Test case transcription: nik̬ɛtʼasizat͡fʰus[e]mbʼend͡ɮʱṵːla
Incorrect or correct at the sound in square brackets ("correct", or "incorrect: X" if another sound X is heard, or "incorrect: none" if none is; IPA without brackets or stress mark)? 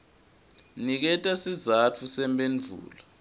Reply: incorrect: ɛ